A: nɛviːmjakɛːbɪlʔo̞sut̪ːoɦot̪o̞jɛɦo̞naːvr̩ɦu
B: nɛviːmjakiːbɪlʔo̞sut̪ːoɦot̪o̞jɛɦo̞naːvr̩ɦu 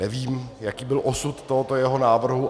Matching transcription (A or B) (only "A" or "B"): B